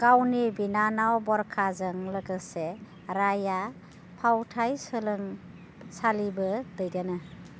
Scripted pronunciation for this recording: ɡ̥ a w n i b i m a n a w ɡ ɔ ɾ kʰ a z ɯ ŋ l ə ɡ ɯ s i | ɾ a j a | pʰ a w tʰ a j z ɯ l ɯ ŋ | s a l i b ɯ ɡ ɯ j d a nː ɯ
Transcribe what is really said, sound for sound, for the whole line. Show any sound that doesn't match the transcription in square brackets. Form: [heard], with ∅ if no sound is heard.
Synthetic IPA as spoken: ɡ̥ a w n i b i [n] a n a w [b] ɔ ɾ kʰ a z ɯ ŋ l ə ɡ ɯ s [e] | ɾ a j a | pʰ a w tʰ a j [s] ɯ l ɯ ŋ | s a l i b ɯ [d] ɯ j d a [n] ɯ